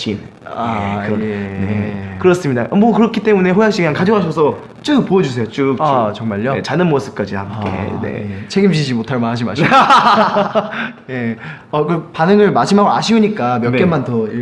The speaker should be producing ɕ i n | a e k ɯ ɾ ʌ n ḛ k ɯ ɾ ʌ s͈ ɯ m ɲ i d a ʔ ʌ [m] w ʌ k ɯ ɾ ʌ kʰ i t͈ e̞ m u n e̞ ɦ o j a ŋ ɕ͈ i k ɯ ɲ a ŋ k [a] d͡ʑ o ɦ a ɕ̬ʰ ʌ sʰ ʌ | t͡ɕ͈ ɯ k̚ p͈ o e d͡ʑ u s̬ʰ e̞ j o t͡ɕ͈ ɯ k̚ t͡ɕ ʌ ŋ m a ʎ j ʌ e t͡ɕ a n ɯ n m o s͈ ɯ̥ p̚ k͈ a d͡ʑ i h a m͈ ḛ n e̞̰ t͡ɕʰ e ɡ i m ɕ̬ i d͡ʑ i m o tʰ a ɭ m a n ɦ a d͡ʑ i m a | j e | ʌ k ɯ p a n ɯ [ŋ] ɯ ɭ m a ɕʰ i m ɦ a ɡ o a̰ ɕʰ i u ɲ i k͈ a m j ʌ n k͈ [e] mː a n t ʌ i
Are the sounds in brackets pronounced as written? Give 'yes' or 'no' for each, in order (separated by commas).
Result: yes, yes, yes, yes